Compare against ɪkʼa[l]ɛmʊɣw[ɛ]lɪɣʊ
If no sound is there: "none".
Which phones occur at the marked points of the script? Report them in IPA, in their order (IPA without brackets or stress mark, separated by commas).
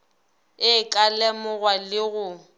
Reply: l, a